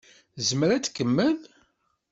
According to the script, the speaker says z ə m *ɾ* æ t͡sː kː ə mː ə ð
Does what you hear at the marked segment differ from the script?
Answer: no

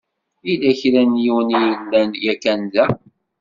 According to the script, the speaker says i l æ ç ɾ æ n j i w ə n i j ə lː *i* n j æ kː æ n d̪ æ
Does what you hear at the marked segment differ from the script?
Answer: yes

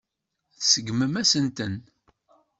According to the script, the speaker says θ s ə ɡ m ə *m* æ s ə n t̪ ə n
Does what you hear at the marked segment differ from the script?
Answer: no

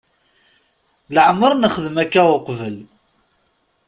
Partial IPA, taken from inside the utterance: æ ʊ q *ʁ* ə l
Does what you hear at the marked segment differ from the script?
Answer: yes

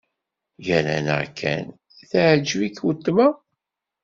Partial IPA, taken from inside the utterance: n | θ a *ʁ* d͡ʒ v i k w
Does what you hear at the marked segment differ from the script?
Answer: yes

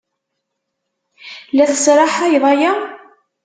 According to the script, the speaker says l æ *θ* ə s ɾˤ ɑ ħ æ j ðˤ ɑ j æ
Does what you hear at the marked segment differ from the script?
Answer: no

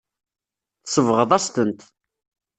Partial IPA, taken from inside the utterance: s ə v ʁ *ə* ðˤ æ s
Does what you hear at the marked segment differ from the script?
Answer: no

